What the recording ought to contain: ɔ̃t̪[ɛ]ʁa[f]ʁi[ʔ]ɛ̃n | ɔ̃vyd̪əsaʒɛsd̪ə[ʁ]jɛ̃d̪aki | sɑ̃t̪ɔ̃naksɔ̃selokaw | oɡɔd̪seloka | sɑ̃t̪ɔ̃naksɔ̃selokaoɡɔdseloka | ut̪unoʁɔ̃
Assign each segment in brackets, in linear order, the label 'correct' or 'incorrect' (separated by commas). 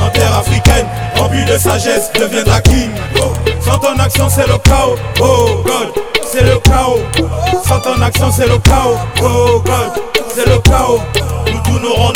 correct, correct, incorrect, incorrect